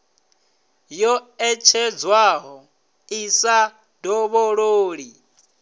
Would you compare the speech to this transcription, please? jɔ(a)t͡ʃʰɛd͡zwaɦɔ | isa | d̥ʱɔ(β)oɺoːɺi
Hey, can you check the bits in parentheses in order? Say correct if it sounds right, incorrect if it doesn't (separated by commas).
incorrect, correct